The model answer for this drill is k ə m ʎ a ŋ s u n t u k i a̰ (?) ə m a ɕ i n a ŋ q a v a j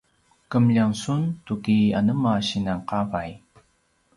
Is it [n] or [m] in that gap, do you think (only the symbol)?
n